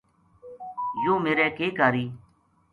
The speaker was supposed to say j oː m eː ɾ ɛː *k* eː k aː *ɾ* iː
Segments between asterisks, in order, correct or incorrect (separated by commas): correct, correct